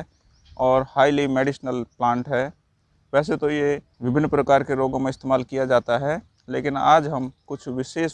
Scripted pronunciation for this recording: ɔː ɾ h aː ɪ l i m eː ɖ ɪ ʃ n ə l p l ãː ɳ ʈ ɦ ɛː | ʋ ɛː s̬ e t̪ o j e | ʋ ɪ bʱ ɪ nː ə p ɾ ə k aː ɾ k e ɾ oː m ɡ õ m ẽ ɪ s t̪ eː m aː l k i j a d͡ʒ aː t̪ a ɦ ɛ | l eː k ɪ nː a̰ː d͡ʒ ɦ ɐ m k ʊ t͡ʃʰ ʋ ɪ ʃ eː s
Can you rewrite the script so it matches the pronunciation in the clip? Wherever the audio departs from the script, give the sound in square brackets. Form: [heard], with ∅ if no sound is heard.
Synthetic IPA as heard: ɔː ɾ h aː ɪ l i m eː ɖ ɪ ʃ n ə l p l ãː ɳ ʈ ɦ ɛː | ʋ ɛː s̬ e t̪ o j e | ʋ ɪ bʱ ɪ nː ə p ɾ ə k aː ɾ k e ɾ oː [∅] ɡ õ m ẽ ɪ s t̪ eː m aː l k i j a d͡ʒ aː t̪ a ɦ ɛ | l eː k ɪ [n] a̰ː d͡ʒ ɦ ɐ m k ʊ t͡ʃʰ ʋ ɪ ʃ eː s

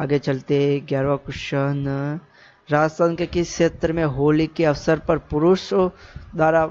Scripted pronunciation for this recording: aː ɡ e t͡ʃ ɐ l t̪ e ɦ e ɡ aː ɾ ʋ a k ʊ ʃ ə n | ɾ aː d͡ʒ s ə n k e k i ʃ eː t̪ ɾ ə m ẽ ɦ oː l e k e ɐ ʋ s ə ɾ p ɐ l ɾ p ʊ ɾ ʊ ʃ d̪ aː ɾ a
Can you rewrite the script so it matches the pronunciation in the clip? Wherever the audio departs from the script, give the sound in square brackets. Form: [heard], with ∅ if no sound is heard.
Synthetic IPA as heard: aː ɡ e t͡ʃ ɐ l t̪ e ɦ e ɡ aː ɾ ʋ a k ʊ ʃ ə n | ɾ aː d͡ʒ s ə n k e k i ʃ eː t̪ ɾ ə m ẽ ɦ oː l [i] k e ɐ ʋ s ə ɾ p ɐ [∅] ɾ p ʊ ɾ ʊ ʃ d̪ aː ɾ a

